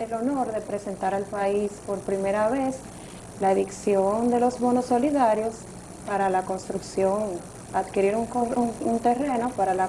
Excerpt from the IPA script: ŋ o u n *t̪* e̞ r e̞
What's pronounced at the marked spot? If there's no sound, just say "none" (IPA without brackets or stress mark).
t̪